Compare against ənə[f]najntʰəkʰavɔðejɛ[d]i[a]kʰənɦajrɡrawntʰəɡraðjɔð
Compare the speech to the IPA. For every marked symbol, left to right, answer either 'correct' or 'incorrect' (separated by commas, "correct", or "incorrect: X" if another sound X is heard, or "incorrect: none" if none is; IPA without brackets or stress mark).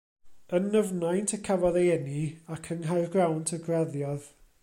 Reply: incorrect: v, incorrect: n, correct